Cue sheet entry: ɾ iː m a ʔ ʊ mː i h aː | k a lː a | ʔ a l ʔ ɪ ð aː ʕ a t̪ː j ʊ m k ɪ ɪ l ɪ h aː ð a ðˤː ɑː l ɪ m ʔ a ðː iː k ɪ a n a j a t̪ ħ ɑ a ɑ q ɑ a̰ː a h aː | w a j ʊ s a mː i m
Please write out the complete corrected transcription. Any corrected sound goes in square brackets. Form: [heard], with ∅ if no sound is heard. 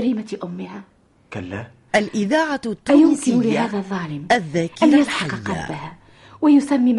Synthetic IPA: ɾ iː m a ʔ ʊ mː [ɪ] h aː | k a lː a | ʔ a l ʔ ɪ ð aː ʕ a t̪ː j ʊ m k ɪ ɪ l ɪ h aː ð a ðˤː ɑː l ɪ m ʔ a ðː [aː] k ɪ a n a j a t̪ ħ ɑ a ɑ q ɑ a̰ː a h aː | w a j ʊ s a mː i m